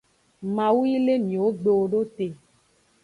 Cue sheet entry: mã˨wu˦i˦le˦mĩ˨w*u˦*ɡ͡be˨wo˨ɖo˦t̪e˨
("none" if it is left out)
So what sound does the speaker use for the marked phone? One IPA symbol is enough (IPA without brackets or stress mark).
o˦